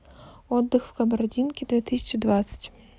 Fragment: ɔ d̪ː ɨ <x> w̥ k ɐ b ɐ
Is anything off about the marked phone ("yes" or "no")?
no